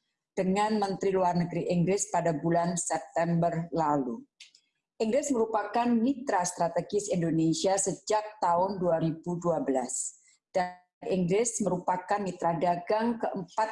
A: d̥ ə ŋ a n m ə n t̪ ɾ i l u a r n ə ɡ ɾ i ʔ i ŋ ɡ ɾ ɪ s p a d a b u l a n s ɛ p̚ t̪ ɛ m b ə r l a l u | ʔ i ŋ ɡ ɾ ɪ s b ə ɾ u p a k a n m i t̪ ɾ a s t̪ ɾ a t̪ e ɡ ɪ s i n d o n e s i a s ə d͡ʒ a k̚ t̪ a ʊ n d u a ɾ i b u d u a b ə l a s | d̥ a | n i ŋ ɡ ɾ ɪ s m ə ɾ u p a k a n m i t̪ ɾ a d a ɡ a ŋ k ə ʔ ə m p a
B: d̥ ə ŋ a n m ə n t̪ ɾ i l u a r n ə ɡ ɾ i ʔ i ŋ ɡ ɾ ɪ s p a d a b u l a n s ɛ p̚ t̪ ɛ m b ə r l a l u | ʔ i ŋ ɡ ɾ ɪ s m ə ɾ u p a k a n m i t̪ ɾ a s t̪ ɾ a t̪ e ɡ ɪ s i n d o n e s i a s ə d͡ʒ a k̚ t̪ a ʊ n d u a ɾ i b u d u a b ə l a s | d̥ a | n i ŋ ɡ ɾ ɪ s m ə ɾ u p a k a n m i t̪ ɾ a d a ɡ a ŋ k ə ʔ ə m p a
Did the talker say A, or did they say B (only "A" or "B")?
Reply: B